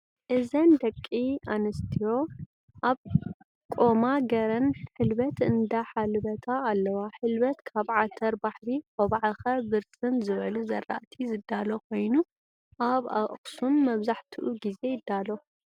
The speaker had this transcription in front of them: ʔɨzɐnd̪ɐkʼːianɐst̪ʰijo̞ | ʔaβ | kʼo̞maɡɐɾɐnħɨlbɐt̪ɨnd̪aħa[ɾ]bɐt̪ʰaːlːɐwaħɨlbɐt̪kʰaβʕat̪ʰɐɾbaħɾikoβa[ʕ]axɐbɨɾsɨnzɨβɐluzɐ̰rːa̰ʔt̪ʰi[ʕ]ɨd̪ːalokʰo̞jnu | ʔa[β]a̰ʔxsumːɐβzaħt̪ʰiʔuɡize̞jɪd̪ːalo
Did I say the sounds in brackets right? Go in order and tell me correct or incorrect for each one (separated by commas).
incorrect, correct, incorrect, correct